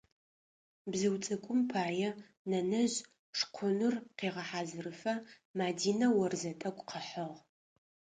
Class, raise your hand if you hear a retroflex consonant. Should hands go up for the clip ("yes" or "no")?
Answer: yes